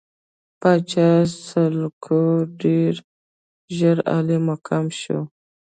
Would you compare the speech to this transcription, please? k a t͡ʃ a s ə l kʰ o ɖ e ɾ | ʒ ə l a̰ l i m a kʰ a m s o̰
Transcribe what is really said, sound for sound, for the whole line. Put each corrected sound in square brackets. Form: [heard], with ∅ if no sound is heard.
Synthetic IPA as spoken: [p] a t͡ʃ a s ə l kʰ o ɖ e ɾ | ʒ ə [ɾ] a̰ l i m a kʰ a m [ʃ] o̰

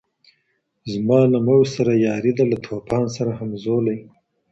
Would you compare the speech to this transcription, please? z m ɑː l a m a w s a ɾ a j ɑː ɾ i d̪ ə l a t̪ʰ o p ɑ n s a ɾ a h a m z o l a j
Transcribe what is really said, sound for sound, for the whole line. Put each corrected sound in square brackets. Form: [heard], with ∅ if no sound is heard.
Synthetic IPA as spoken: z m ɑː l a m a w s a ɾ a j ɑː ɾ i d̪ [a] l a t̪ʰ o p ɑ n s a ɾ a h a m z o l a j

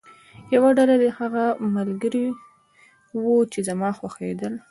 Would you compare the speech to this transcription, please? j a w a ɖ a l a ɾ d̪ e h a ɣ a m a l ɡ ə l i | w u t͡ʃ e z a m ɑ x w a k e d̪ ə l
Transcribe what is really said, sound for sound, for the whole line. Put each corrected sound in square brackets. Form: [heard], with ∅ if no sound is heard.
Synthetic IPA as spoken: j a w a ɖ a l a [∅] d̪ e h a ɣ a m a l ɡ ə [ɾ] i | w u t͡ʃ e z a m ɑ x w a [x] e d̪ ə l

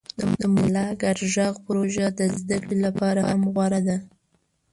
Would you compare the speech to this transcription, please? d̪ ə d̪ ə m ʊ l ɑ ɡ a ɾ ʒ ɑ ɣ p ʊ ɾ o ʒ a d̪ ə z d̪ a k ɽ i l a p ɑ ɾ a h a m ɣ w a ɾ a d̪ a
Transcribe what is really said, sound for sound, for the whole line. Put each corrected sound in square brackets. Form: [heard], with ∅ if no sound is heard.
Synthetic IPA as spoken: d̪ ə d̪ ə m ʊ l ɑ ɡ a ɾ ʒ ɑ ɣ p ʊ ɾ o ʒ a d̪ ə z d̪ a k ɽ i l a p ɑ ɾ a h a m ɣ w a ɾ a d̪ a

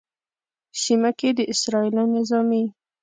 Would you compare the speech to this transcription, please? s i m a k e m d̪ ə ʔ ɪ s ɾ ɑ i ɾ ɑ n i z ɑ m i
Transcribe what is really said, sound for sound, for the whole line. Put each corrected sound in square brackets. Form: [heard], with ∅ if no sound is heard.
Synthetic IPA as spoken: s i m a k e [∅] d̪ ə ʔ ɪ s ɾ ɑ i [l] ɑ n [ɪ] z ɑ m i

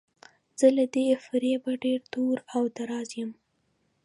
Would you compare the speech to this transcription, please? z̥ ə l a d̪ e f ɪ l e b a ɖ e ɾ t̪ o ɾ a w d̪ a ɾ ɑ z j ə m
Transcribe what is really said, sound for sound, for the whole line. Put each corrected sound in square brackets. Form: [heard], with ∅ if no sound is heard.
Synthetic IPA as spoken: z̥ ə l a d̪ e f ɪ [ɾ] e b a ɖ e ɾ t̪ o ɾ a w d̪ a ɾ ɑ z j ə m

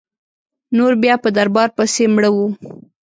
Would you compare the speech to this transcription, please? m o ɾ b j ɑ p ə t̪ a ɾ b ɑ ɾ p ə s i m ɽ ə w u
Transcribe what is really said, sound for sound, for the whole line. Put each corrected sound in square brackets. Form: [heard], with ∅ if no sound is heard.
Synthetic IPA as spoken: [n] o ɾ b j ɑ p ə [d̪] a ɾ b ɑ ɾ p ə s [e] m ɽ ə w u

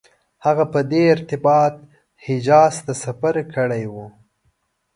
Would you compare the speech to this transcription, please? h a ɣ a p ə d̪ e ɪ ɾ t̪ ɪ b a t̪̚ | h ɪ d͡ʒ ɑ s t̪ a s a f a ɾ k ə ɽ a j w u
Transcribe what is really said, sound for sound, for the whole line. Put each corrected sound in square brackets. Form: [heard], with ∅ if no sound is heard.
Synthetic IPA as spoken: h a ɣ a p ə d̪ e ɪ ɾ t̪ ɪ b [ɑ] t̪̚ | h ɪ d͡ʒ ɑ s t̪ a s a f a ɾ k ə ɽ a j w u

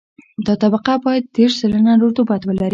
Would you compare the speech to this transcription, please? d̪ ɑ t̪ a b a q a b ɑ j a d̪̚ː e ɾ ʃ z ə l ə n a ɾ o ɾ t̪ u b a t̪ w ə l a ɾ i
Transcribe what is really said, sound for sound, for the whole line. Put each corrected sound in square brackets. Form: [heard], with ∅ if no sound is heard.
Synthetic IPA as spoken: d̪ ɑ t̪ a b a q a b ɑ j a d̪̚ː e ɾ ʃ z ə l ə n a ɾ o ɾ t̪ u b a t̪ w ə l a ɾ i

